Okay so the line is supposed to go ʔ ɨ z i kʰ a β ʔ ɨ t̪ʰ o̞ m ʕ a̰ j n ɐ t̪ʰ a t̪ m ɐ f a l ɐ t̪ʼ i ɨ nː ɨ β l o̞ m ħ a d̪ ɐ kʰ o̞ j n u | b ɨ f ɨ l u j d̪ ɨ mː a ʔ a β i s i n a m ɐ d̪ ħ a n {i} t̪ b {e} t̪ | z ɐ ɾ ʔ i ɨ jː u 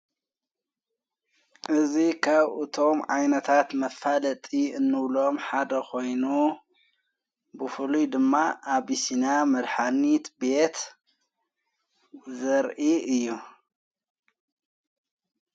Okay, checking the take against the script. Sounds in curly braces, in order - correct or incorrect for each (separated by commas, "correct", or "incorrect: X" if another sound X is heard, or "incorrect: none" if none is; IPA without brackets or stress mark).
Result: correct, correct